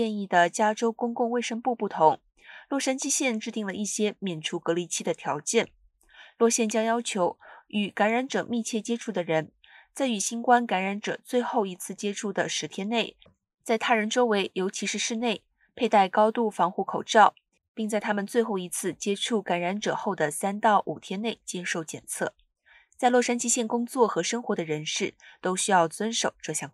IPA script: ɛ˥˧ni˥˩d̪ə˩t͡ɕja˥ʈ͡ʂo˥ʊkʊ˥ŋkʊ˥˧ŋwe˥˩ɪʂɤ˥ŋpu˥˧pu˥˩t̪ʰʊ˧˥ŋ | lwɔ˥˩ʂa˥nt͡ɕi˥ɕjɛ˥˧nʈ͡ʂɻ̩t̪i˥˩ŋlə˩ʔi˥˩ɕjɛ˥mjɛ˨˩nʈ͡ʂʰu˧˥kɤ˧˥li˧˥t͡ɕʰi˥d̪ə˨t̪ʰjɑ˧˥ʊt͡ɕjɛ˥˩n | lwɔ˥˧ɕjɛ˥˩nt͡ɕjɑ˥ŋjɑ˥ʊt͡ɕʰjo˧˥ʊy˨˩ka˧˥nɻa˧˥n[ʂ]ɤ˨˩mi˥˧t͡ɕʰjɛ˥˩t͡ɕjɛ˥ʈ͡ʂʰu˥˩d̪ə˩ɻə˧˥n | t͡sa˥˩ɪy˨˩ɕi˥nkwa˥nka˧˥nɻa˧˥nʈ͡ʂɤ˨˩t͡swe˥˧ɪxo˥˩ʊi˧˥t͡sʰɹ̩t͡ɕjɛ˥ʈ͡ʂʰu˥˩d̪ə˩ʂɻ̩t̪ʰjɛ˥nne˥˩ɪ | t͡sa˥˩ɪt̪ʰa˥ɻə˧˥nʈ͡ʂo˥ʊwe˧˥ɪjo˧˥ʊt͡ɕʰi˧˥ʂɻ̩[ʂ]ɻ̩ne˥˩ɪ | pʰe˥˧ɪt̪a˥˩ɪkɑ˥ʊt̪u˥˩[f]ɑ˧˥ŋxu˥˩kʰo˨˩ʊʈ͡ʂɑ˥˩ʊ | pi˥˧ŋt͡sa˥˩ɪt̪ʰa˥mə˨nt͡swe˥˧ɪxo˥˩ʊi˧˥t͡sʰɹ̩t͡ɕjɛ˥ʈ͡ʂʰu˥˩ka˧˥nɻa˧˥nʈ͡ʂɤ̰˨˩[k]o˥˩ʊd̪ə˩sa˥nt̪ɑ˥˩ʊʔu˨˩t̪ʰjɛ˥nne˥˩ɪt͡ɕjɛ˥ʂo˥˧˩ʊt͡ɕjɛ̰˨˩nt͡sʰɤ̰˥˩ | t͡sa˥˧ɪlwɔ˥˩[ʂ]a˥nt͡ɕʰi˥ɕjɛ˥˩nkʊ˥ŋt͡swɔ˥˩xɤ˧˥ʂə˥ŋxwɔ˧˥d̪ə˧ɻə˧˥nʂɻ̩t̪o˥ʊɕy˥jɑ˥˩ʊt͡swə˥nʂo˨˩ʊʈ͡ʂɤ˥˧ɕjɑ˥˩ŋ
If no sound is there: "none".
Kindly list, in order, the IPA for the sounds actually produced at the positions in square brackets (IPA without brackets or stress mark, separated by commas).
ʈ͡ʂ, ʂ, f, x, ʂ